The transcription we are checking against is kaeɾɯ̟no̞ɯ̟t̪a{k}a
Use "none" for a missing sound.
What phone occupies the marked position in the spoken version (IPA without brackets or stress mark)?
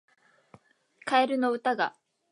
ɡ